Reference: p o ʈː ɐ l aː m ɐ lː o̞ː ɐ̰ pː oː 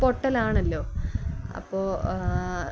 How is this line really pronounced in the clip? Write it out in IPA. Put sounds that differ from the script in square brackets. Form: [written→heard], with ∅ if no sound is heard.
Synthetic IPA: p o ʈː ɐ l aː [m→ɳ] ɐ lː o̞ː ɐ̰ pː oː